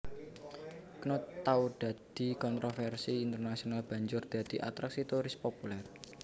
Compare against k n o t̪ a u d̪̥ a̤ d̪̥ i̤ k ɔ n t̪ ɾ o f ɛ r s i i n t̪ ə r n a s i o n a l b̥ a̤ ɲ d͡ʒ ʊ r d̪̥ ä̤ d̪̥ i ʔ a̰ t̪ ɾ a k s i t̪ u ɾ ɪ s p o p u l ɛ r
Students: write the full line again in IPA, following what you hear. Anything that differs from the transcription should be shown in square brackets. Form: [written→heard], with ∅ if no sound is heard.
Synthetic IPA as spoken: k n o t̪ a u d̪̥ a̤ d̪̥ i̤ k ɔ n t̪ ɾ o f ɛ r s i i n t̪ ə r n a s i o n a l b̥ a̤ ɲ d͡ʒ ʊ r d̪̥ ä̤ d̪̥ i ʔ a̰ t̪ ɾ a k s i t̪ u ɾ ɪ s p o p u l ɛ r